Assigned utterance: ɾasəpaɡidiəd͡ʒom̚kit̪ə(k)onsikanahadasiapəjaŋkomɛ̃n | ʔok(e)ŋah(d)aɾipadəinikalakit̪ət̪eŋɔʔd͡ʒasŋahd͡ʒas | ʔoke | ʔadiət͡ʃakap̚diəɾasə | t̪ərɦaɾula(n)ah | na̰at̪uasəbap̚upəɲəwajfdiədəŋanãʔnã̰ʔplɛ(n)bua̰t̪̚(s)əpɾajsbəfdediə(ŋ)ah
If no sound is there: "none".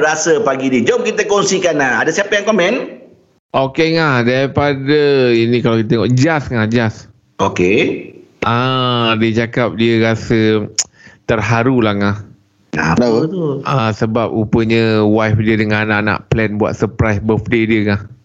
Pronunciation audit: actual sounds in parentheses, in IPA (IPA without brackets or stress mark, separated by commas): k, e, d, ŋ, n, s, ŋ